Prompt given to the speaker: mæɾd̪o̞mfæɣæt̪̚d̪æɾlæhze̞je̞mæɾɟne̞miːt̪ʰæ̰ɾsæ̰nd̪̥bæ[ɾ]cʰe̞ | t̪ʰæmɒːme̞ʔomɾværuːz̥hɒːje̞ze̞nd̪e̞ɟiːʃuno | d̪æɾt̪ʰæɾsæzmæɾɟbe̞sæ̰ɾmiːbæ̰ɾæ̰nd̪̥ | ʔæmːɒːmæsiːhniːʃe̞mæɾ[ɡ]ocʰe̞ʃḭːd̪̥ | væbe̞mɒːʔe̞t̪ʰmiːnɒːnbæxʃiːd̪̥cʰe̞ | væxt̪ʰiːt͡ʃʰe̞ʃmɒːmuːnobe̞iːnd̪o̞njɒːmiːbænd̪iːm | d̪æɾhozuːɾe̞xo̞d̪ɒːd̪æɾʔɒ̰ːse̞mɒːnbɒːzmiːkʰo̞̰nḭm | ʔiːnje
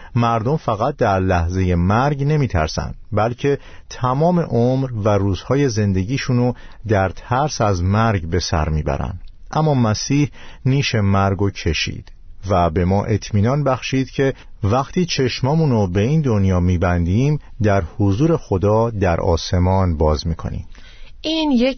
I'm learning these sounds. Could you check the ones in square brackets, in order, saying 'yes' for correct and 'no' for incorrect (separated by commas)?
no, yes